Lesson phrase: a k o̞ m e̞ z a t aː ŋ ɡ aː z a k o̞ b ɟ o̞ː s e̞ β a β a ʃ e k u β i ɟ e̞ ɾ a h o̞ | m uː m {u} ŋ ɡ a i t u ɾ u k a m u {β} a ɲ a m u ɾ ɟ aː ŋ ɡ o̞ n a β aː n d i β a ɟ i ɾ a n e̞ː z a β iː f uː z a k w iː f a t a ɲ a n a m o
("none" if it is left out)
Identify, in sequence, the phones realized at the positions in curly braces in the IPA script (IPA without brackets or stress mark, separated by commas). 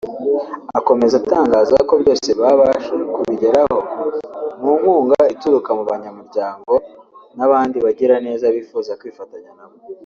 uː, β